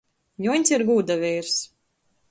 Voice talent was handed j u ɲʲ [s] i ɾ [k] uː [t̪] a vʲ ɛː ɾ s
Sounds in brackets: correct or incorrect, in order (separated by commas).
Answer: correct, incorrect, incorrect